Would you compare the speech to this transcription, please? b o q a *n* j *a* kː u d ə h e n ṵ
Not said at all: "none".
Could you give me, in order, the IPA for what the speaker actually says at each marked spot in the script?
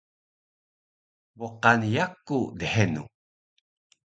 n, a

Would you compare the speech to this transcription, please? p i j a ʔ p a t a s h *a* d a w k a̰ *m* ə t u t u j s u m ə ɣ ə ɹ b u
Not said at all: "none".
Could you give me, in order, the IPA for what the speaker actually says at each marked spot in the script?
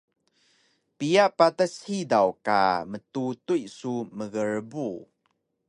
i, m

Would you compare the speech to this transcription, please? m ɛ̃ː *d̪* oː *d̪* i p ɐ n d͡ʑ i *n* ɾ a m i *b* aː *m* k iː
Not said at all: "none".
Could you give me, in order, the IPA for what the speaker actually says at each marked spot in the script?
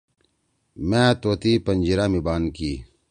t̪, t̪, none, b, n

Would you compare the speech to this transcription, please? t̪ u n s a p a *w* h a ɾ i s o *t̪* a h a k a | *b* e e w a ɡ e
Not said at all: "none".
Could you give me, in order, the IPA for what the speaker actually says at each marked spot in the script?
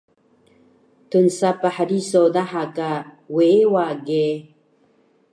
none, d̪, w

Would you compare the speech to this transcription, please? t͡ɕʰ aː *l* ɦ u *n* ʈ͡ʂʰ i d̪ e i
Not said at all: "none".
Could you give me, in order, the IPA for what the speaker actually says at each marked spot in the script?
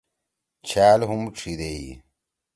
l, m

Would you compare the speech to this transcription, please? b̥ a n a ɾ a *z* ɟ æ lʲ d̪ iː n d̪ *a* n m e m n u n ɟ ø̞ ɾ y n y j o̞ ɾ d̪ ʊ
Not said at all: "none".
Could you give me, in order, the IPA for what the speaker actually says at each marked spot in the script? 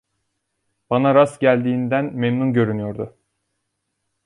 s, æ

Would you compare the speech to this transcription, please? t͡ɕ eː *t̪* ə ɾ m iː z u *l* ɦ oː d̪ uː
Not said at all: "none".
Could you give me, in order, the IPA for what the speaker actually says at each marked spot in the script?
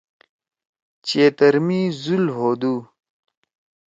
t̪, l

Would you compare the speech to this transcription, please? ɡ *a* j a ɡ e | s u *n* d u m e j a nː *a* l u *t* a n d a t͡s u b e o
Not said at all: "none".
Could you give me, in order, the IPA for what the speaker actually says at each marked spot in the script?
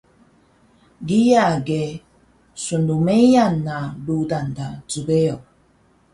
i, n, a, d

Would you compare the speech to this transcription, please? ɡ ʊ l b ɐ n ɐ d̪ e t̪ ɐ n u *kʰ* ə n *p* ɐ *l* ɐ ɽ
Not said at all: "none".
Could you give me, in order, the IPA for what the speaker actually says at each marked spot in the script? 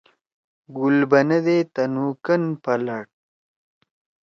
k, p, l

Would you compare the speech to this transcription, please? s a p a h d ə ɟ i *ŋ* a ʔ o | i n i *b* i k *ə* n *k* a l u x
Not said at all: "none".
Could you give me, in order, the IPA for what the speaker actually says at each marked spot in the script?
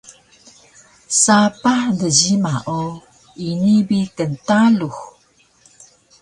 m, b, ə, t

